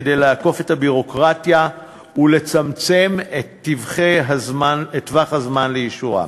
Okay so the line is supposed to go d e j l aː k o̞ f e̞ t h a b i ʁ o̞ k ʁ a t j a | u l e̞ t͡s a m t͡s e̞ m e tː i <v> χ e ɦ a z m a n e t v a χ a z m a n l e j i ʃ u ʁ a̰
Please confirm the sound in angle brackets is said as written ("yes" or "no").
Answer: yes